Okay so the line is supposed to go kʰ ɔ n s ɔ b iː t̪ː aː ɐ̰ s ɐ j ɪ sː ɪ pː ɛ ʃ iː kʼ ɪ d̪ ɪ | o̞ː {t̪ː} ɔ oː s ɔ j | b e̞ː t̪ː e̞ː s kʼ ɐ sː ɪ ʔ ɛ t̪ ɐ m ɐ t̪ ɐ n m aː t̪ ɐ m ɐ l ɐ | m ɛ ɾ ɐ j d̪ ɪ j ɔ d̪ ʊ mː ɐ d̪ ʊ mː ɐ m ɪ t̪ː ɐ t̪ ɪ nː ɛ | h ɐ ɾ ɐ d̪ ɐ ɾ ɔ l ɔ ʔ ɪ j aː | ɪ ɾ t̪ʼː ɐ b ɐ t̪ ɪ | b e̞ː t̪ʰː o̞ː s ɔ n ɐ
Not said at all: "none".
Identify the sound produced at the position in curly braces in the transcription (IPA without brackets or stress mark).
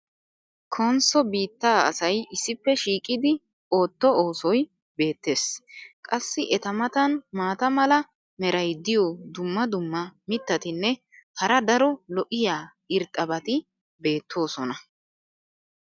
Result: t̪ː